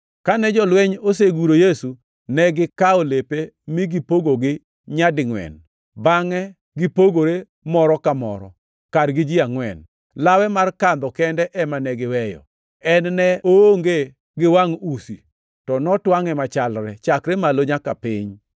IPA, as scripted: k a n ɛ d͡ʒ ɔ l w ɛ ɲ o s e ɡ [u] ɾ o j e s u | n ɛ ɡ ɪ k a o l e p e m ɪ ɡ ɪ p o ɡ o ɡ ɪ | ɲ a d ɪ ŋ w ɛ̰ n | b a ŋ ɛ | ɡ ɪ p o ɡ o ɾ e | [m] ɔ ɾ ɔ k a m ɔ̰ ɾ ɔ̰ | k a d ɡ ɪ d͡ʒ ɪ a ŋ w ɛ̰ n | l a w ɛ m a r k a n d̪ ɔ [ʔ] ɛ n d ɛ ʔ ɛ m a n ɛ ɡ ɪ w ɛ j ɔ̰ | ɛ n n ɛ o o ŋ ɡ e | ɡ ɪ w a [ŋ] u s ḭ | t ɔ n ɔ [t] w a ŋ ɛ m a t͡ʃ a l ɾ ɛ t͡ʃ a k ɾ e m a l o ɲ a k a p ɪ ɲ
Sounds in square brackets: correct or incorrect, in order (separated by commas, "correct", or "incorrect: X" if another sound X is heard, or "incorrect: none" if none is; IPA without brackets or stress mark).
correct, correct, incorrect: k, correct, correct